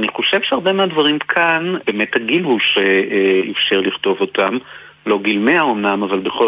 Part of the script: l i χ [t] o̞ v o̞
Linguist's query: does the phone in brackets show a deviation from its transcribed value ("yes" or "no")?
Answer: no